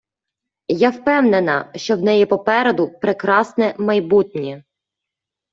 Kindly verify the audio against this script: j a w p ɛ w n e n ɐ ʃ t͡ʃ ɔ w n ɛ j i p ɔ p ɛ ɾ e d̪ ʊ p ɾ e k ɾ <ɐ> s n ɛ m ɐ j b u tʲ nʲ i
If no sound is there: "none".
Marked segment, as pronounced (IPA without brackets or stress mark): ɑ